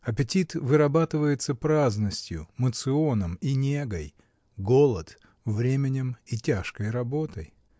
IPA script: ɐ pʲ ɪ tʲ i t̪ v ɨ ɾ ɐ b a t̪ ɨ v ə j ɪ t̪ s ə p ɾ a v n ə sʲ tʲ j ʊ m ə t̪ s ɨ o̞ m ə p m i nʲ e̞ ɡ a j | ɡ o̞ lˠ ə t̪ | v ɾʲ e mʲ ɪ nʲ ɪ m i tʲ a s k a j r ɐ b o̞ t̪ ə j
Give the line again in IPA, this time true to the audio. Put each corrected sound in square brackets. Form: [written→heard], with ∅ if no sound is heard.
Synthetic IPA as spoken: ɐ pʲ ɪ tʲ i t̪ v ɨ ɾ ɐ b a t̪ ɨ v ə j ɪ t̪ s ə p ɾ a [v→z] n ə sʲ tʲ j ʊ m ə t̪ s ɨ o̞ [m→n] ə [p→∅] m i nʲ e̞ ɡ [a→ə] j | ɡ o̞ lˠ ə t̪ | v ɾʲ e mʲ ɪ nʲ ɪ m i tʲ a [s→ʂ] k [a→ə] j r ɐ b o̞ t̪ ə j